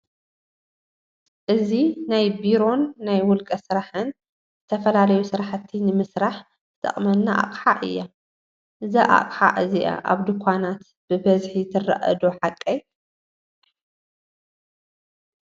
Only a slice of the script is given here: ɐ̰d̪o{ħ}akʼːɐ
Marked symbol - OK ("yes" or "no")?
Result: yes